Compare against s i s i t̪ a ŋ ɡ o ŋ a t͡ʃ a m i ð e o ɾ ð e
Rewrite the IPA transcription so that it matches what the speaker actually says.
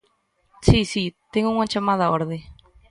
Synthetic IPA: s i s i t̪ e ŋ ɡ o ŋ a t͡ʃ a m a ð a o ɾ ð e